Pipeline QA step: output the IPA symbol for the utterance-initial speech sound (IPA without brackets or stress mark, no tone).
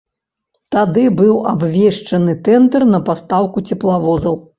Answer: t̪